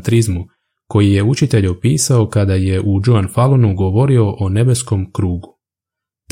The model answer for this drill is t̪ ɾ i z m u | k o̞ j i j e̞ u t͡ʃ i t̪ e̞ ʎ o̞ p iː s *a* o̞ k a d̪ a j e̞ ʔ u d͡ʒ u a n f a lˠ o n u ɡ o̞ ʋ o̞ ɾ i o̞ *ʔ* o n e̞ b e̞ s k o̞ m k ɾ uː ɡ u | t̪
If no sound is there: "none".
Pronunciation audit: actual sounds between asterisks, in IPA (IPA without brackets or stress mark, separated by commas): a, ʔ